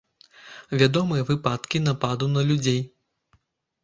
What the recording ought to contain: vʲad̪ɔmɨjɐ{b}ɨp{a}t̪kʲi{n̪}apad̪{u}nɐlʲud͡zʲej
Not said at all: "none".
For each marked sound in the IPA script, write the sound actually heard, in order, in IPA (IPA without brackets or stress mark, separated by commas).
v, a, n̪, u